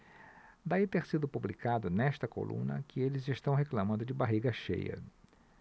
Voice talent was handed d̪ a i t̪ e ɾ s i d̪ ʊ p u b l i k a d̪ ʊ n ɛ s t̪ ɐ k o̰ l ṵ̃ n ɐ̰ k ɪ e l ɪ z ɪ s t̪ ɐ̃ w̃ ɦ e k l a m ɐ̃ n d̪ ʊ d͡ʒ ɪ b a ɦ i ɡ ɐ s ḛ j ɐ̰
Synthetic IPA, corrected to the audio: d̪ a i t̪ e ɾ s i d̪ ʊ p u b l i k a d̪ ʊ n ɛ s t̪ ɐ k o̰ l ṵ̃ n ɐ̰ k ɪ e l ɪ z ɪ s t̪ ɐ̃ w̃ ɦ e k l a m ɐ̃ n d̪ ʊ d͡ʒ ɪ b a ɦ i ɡ ɐ ʃ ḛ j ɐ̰

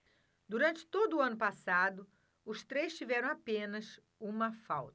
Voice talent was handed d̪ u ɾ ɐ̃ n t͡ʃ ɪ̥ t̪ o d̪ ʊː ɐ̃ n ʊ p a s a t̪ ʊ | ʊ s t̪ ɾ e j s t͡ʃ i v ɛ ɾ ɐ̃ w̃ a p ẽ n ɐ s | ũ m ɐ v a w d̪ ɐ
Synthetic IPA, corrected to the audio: d̪ u ɾ ɐ̃ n t͡ʃ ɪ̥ t̪ o d̪ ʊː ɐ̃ n ʊ p a s a d̪ ʊ | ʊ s t̪ ɾ e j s t͡ʃ i v ɛ ɾ ɐ̃ w̃ a p ẽ n ɐ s | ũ m ɐ f a w t̪ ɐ

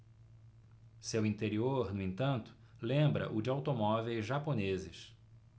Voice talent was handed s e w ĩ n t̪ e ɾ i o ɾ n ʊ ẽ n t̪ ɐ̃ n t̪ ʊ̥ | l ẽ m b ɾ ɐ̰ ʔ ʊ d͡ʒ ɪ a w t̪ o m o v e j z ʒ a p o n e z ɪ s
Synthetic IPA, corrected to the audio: s e w ĩ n t̪ e ɾ i o ɾ n ʊ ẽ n t̪ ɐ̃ n t̪ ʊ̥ | l ẽ m b ɾ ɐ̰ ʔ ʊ d͡ʒ ɪ a w t̪ o m ɔ v e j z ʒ a p o n e z ɪ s

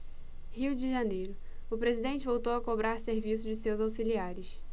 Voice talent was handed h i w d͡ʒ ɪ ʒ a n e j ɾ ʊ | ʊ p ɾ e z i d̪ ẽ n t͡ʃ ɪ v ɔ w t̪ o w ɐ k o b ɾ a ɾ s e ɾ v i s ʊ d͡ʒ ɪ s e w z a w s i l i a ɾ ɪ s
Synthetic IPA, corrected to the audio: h i w d͡ʒ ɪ ʒ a n e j ɾ ʊ | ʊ p ɾ e z i d̪ ẽ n t͡ʃ ɪ v o w t̪ o w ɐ k o b ɾ a ɾ s e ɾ v i s ʊ d͡ʒ ɪ s e w z a w s i l i a ɾ ɪ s

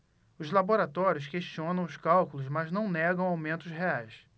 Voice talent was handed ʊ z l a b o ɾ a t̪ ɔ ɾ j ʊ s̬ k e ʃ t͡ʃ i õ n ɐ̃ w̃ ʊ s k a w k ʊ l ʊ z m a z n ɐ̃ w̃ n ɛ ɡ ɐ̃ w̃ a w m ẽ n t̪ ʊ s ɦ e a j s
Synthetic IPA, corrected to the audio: ʊ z l a b o ɾ a t̪ ɔ ɾ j ʊ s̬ k e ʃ t͡ʃ i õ n ɐ̃ w̃ ʊ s k a w k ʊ l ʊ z m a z n ɐ̃ w̃ n ɛ ɡ ɐ̃ w̃ a w m ẽ n t̪ ʊ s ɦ e a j s

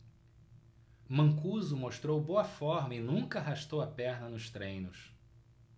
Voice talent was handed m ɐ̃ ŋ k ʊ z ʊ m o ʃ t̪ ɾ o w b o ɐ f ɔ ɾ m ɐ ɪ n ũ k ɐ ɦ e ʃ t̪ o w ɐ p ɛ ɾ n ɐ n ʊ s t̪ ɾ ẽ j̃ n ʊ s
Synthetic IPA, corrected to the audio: m ɐ̃ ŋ k u z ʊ m o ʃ t̪ ɾ o w b o ɐ f ɔ ɾ m ɐ ɪ n ũ k ɐ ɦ a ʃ t̪ o w ɐ p ɛ ɾ n ɐ n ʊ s t̪ ɾ ẽ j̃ n ʊ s

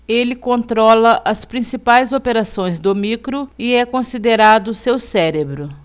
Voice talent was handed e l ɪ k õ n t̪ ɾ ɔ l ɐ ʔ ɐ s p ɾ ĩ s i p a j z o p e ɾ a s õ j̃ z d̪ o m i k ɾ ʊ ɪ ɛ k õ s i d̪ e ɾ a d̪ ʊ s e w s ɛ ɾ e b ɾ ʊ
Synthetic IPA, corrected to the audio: e l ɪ k õ n t̪ ɾ ɔ l ɐ ʔ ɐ s p ɾ ĩ s i p a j z o p e ɾ a s õ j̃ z d̪ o m i k ɾ ʊ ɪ ɛ k õ s i d̪ e ɾ a d̪ ʊ s e w s ɛ ɾ e b ɾ ʊ

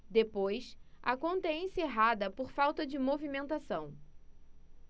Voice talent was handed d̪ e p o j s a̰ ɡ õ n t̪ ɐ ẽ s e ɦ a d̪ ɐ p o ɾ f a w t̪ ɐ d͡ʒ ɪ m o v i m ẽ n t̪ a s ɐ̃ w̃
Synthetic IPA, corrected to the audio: d̪ e p o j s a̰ k õ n t̪ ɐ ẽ s e ɦ a d̪ ɐ p o ɾ f a w t̪ ɐ d͡ʒ ɪ m o v i m ẽ n t̪ a s ɐ̃ w̃

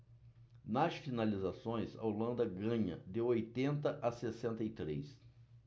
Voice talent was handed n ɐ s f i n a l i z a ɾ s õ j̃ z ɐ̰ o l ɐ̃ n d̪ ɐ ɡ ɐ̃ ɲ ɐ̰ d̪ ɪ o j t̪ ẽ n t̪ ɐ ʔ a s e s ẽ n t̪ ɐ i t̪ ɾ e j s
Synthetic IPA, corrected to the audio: n ɐ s f i n a l i z a s õ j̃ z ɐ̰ o l ɐ̃ n d̪ ɐ ɡ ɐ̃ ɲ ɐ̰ d̪ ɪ o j t̪ ẽ n t̪ ɐ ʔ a s e s ẽ n t̪ ɐ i t̪ ɾ e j s

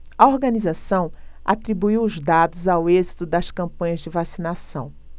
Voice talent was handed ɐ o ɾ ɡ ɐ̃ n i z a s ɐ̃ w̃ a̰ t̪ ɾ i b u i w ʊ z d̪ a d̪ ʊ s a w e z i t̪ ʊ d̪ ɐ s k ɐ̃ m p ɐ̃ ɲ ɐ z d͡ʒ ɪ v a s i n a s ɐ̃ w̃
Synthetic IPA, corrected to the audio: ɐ o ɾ ɡ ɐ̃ n i z a s ɐ̃ w̃ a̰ t̪ ɾ i b u i w ʊ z d̪ a d̪ ʊ z a w e z i t̪ ʊ d̪ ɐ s k ɐ̃ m p ɐ̃ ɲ ɐ z d͡ʒ ɪ v a s i n a s ɐ̃ w̃

